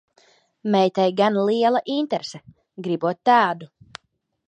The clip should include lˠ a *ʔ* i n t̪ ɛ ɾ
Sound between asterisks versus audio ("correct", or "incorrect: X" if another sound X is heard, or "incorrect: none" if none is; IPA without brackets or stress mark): correct